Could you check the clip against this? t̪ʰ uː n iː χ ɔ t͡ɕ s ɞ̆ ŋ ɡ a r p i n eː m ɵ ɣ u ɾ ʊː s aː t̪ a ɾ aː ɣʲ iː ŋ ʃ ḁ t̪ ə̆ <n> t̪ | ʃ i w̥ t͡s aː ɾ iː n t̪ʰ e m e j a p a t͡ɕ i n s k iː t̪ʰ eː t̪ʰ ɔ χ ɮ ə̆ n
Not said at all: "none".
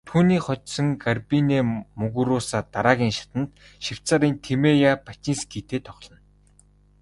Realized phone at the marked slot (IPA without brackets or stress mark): n